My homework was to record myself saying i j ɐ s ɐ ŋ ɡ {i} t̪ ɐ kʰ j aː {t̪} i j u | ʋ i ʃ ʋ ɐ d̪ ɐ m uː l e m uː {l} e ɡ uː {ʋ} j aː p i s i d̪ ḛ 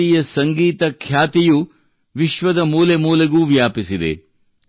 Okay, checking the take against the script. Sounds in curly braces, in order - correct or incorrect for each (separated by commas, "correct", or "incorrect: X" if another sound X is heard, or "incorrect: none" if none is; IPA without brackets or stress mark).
incorrect: iː, correct, correct, correct